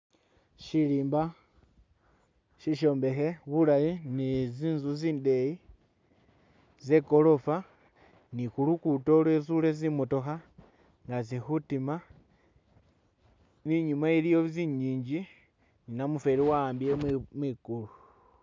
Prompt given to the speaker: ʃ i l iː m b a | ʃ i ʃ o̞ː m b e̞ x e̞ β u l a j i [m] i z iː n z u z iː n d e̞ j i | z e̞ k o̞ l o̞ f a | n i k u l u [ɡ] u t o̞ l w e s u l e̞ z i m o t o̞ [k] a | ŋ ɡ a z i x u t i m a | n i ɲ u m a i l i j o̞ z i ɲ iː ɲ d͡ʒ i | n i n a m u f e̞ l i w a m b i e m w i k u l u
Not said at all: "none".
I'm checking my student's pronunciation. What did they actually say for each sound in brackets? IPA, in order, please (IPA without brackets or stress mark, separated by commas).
n, k, x